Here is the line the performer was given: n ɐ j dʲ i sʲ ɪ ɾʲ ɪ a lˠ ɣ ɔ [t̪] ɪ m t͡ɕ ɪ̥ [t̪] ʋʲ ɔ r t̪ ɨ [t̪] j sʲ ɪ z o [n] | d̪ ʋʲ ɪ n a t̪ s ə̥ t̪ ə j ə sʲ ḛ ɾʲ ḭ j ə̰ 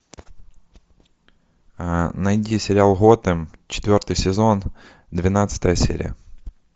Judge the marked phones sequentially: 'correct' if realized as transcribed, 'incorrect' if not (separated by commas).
correct, correct, incorrect, correct